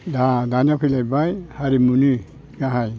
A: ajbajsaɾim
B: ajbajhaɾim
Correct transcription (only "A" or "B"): B